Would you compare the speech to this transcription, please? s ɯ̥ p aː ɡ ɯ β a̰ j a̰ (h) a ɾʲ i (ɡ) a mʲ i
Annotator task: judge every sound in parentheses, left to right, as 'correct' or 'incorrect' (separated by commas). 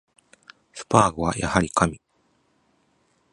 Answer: correct, incorrect